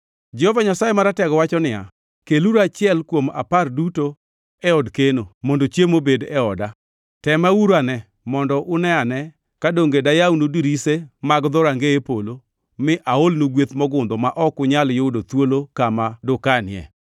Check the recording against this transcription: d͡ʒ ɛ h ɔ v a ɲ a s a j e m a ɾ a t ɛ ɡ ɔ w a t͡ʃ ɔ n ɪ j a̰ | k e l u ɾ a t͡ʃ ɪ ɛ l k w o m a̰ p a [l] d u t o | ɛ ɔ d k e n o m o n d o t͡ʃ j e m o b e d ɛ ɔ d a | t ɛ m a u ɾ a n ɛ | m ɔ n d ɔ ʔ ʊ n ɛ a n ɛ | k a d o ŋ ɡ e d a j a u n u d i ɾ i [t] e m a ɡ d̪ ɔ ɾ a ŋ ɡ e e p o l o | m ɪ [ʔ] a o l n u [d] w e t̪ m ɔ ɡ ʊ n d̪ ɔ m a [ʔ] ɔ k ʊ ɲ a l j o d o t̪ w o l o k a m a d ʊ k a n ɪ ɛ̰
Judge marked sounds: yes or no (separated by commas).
no, no, yes, no, yes